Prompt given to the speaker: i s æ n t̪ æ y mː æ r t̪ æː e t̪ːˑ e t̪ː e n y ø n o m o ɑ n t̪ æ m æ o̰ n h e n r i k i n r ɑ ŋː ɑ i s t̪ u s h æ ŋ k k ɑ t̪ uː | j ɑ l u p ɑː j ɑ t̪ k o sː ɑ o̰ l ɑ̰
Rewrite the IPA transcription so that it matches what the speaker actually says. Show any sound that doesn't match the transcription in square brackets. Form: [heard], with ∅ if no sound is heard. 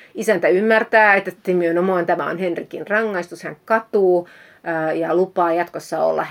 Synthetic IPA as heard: i s æ n t̪ æ y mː æ r t̪ æː e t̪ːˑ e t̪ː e [m] y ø n o m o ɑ n t̪ æ m æ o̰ n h e n r i k i n r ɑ ŋː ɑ i s t̪ u s h æ ŋ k k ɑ t̪ uː | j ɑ l u p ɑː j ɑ t̪ k o sː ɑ o̰ [lː] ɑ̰